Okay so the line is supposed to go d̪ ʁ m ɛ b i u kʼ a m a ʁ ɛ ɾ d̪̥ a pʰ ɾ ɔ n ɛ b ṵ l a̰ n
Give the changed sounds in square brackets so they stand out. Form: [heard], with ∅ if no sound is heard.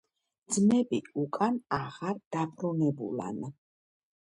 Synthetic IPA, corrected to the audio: d̪ [z] m ɛ b i u kʼ a [n] a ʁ [a] ɾ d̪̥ a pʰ ɾ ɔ n ɛ b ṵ l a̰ n